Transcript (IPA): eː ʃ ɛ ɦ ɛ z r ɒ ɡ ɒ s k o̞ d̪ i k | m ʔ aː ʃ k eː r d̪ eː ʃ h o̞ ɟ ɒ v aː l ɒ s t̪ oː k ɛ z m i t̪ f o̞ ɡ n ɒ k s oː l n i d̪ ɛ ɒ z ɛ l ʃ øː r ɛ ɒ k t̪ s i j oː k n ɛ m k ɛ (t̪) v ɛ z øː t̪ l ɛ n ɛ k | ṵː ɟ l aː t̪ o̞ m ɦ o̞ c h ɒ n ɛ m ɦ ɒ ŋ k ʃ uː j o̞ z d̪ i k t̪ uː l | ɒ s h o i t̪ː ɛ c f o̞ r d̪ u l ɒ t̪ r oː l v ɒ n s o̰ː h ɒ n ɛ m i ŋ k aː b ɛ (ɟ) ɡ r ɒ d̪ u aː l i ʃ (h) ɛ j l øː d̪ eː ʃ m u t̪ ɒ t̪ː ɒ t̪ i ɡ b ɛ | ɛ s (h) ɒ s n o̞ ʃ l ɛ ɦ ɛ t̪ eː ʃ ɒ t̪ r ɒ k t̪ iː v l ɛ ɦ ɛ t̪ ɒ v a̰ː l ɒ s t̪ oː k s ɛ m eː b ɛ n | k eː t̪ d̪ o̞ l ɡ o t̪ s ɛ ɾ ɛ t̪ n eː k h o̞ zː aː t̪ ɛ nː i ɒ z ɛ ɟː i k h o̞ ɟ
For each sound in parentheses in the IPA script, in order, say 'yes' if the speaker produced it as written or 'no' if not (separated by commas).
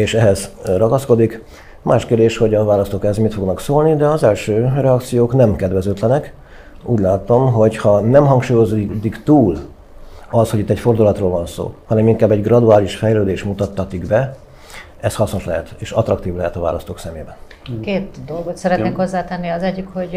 no, yes, no, yes